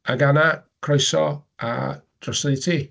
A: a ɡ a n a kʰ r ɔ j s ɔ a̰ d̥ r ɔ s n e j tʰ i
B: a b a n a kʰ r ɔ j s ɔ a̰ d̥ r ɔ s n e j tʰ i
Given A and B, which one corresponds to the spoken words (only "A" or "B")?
A